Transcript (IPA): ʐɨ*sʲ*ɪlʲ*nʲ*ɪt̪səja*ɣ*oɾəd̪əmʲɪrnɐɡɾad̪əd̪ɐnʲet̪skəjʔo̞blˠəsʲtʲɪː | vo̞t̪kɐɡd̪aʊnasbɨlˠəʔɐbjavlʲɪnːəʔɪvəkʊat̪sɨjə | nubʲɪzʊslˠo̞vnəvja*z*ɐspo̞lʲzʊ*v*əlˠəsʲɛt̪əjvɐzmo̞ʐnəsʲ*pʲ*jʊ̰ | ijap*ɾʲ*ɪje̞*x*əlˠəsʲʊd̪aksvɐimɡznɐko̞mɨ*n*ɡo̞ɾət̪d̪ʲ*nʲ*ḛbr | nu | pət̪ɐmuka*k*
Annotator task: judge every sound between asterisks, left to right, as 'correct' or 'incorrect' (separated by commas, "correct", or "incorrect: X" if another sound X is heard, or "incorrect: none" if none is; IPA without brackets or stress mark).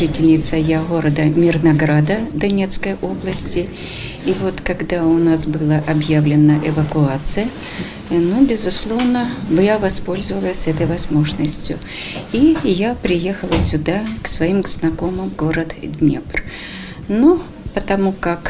incorrect: tʲ, correct, correct, incorrect: v, correct, incorrect: tʲ, correct, correct, incorrect: m, correct, correct